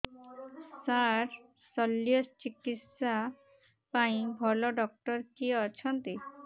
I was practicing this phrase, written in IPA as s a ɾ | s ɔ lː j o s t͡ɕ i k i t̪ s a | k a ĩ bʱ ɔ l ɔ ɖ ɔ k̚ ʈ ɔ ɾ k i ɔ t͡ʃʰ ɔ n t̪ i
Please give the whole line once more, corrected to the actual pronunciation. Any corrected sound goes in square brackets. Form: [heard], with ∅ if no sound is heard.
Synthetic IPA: s a ɾ | s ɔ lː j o s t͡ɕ i k i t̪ s a | [p] a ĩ bʱ ɔ l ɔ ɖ ɔ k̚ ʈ ɔ ɾ k i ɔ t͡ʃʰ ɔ n t̪ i